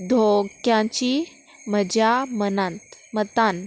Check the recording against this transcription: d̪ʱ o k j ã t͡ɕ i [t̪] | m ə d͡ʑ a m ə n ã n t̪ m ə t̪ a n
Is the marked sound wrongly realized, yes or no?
yes